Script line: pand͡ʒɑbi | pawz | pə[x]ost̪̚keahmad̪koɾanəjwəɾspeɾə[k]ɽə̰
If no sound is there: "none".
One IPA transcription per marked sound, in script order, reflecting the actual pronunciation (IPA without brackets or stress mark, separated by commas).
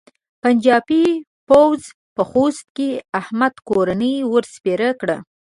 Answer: x, k